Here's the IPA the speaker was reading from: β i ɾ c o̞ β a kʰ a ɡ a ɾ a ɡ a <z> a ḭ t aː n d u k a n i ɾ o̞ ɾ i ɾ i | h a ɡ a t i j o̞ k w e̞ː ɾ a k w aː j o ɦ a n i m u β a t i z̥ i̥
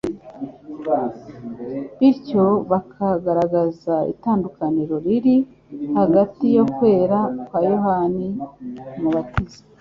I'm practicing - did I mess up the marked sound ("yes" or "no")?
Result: no